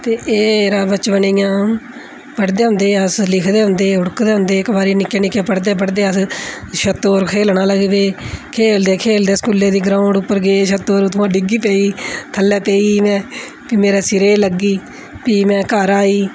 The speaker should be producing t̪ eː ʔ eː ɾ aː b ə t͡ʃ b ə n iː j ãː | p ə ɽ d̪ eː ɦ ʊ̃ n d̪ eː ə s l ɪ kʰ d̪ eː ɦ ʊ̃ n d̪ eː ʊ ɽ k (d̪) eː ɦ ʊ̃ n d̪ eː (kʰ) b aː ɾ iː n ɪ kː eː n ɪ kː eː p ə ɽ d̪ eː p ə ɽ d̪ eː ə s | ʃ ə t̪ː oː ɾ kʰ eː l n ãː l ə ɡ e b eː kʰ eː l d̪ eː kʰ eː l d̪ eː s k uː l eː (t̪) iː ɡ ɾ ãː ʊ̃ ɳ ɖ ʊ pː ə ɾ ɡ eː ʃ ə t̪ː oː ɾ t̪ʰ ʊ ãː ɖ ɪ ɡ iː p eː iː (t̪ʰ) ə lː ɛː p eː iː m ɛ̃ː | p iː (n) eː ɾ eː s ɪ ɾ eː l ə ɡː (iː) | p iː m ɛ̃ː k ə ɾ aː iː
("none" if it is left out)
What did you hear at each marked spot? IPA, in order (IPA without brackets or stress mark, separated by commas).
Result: d̪, k, d̪, t̪ʰ, m, iː